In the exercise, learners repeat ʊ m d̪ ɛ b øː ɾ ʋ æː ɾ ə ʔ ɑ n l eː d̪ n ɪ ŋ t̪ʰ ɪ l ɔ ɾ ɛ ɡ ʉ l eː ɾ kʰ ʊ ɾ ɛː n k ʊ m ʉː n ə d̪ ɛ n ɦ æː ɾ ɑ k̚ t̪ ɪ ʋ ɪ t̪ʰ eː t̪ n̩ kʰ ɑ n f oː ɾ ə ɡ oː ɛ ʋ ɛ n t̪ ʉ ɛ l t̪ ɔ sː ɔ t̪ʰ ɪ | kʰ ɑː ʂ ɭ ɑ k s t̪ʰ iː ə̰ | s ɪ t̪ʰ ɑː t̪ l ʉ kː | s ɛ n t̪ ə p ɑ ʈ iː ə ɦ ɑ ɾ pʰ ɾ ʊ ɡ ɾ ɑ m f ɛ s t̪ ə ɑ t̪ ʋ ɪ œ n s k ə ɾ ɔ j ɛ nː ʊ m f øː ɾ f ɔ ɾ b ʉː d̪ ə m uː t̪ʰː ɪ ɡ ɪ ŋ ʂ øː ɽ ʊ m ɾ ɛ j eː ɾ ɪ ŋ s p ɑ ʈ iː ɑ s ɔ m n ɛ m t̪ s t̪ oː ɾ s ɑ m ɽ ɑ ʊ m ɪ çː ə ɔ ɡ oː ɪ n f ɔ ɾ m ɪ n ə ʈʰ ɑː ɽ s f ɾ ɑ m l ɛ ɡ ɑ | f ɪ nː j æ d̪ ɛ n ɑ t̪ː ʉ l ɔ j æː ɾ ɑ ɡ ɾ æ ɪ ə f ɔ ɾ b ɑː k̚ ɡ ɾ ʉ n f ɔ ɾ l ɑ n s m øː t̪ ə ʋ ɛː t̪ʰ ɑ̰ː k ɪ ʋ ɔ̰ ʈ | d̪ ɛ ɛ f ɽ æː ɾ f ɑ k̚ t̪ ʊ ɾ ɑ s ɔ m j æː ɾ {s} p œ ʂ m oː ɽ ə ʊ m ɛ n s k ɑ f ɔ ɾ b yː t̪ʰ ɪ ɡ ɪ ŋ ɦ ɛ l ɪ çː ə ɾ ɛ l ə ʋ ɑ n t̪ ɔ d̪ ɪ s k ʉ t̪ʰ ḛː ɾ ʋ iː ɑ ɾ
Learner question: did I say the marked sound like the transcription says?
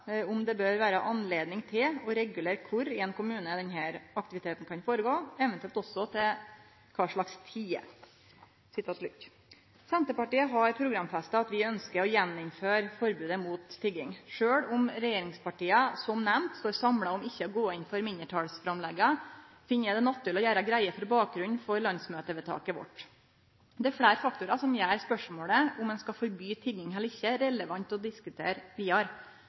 yes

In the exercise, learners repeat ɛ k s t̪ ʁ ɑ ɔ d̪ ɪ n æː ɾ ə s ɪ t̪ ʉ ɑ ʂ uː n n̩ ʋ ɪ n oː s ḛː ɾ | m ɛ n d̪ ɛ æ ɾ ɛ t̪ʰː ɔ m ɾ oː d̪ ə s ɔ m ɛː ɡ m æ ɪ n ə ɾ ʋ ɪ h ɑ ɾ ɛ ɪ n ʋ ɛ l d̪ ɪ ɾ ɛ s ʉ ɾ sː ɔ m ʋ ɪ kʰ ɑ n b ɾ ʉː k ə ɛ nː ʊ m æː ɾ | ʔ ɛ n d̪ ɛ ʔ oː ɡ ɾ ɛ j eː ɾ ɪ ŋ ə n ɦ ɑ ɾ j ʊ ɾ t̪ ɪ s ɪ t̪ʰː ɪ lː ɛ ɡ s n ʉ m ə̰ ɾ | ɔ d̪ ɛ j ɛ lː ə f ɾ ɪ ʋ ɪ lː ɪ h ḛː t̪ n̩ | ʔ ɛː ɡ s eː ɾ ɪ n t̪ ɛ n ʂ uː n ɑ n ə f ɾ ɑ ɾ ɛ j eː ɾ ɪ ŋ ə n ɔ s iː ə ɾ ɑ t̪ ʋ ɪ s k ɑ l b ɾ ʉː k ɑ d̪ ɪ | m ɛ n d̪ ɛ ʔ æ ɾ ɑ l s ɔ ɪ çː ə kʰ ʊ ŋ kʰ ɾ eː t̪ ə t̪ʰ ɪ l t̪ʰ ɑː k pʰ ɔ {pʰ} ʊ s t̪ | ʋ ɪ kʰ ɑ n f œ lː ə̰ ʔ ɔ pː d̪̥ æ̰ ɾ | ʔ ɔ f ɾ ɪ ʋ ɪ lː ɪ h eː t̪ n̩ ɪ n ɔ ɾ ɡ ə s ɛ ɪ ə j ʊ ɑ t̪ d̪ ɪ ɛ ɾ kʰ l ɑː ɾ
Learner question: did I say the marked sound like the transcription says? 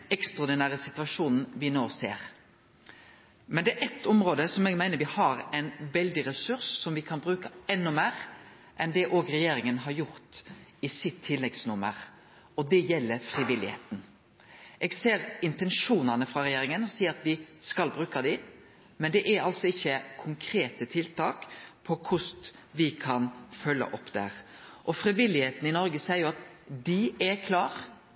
no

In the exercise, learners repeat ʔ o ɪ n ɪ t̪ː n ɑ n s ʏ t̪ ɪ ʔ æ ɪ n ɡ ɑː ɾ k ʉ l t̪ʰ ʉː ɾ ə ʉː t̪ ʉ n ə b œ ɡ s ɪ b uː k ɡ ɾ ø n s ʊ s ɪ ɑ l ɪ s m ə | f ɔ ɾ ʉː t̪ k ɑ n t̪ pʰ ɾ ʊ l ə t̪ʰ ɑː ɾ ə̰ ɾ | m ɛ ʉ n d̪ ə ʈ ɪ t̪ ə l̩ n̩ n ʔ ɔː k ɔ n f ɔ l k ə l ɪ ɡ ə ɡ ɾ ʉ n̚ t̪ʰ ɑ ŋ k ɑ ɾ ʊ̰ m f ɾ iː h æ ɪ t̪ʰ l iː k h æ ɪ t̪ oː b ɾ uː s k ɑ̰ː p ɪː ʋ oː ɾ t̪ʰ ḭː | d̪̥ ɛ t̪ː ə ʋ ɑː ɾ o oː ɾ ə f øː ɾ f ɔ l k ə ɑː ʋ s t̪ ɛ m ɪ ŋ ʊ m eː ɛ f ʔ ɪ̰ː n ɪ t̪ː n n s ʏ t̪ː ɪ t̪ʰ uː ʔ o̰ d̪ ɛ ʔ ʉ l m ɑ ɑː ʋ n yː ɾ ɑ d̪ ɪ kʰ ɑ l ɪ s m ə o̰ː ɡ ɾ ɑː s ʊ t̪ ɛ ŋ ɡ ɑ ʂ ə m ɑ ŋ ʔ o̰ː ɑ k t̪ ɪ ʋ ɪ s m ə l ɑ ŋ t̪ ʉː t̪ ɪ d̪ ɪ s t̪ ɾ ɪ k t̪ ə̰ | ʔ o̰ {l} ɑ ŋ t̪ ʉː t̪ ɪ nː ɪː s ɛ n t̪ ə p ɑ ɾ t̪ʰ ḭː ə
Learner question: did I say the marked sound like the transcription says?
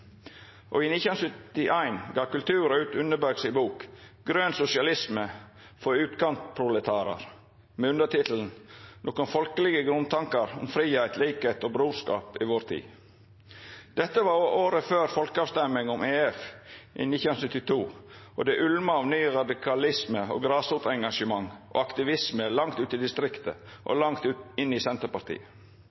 yes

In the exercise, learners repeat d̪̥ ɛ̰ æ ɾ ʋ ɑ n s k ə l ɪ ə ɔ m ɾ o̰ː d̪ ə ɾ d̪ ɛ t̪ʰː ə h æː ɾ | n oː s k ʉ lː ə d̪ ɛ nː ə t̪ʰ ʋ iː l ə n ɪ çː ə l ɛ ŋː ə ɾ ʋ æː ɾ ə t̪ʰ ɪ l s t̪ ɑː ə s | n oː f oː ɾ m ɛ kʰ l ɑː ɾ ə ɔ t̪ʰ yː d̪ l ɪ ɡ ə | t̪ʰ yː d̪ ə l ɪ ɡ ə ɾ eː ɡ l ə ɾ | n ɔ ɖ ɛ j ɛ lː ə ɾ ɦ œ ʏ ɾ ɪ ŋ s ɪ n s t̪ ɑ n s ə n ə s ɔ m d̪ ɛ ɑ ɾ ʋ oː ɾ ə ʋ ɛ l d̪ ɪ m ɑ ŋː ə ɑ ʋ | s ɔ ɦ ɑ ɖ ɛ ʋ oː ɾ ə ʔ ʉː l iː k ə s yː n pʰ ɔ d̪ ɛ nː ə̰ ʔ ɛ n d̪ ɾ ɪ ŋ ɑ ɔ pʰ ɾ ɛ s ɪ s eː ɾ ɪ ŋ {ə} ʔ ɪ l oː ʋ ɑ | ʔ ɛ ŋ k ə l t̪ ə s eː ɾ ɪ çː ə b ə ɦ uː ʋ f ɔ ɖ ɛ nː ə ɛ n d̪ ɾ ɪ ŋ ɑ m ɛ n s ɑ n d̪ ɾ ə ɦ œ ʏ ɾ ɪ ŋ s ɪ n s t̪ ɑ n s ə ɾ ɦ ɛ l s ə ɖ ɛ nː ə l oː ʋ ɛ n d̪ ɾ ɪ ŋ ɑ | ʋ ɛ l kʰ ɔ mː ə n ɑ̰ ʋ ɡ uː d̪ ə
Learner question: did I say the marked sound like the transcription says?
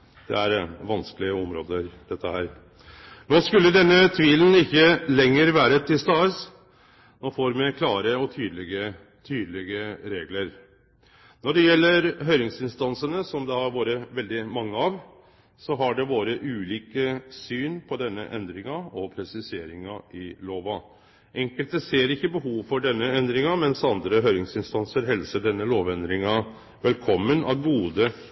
no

